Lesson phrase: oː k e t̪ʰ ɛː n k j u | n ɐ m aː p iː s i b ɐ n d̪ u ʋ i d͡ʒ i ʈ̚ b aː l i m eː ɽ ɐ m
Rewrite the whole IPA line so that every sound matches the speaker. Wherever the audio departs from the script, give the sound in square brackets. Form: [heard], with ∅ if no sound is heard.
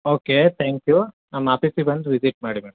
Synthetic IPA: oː k e t̪ʰ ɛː [ŋ] k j u | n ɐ m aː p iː s i b ɐ n d̪ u ʋ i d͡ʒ i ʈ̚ [m] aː [ɽ] i m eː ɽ ɐ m